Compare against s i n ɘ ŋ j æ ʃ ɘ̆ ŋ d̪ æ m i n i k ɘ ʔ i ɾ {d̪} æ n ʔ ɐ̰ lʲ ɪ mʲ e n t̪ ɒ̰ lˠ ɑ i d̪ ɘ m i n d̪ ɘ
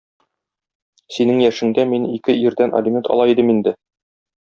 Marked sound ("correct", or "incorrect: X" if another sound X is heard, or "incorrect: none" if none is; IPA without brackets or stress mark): correct